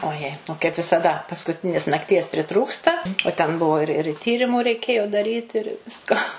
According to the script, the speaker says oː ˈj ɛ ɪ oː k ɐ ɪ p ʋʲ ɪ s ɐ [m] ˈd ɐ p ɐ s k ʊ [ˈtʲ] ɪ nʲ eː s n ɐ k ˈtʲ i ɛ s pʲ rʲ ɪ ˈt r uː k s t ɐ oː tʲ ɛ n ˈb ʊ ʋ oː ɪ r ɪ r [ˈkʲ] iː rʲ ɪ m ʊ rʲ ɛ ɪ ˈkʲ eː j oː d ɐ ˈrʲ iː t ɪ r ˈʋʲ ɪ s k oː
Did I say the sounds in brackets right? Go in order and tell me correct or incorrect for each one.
incorrect: none, correct, incorrect: tʲ

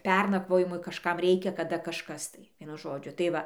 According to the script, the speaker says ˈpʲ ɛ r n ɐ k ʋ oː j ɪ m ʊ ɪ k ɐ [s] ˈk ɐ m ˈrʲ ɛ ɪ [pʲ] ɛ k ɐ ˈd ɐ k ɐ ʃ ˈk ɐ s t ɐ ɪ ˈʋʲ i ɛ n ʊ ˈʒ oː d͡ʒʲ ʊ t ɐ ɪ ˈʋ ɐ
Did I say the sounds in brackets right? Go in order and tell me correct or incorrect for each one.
incorrect: ʃ, incorrect: kʲ

